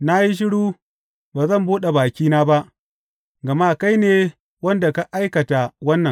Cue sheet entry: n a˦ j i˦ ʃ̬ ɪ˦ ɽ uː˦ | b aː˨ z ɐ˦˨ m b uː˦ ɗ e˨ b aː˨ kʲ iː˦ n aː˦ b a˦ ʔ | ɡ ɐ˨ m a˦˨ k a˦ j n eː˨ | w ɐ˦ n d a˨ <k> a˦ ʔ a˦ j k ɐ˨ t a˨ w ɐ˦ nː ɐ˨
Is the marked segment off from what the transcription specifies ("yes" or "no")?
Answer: no